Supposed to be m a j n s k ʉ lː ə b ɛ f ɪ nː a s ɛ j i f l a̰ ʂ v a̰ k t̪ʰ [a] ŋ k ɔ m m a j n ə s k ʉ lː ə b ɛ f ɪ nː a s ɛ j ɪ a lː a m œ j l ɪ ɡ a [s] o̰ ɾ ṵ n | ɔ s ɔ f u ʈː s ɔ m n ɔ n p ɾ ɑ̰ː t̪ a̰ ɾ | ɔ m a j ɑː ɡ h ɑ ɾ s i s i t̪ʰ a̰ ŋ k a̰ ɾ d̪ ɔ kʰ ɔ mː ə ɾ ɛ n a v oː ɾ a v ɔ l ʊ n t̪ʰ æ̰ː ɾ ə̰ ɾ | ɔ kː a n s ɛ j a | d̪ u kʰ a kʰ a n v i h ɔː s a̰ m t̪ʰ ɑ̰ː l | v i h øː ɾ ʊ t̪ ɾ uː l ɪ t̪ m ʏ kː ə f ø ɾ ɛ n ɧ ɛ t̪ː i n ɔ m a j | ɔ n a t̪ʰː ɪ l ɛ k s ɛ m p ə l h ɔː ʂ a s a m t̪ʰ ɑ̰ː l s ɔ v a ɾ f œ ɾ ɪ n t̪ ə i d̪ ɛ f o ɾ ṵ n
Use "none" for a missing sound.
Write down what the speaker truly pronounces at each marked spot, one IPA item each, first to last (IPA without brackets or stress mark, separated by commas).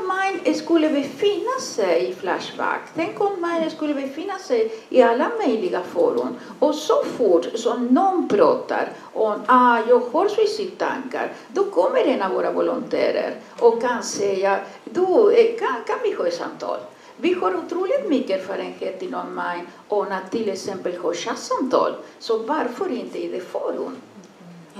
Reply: ɛ, f